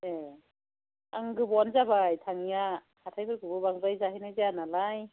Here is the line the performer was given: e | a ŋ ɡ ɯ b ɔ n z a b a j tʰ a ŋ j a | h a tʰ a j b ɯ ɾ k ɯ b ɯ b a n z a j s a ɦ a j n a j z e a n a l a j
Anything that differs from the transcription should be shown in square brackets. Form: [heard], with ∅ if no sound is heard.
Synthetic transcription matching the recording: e | a ŋ ɡ ɯ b ɔ n z a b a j tʰ a ŋ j a | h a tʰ a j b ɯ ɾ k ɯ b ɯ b a [ŋ] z a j [z] a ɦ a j n a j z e a n a l a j